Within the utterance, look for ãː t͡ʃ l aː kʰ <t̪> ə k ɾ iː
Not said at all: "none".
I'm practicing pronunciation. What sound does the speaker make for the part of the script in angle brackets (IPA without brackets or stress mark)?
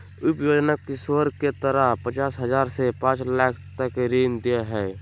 t̪